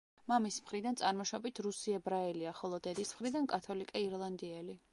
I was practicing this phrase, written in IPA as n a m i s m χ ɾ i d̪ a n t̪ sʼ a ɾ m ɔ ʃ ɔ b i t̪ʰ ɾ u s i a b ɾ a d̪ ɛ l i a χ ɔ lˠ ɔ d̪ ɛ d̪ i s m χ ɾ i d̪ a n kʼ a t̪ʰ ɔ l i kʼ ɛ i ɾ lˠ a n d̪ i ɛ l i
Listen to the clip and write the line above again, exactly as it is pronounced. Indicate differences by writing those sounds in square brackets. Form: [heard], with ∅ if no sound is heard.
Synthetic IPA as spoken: [m] a m i s m χ ɾ i d̪ a n t̪ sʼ a ɾ m ɔ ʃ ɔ b i t̪ʰ ɾ u s i [ɛ] b ɾ a [∅] ɛ l i a χ ɔ lˠ ɔ d̪ ɛ d̪ i s m χ ɾ i d̪ a n kʼ a t̪ʰ ɔ l i kʼ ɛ i ɾ lˠ a n d̪ i ɛ l i